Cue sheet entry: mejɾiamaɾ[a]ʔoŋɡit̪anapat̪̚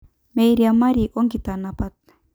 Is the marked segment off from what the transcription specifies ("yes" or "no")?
yes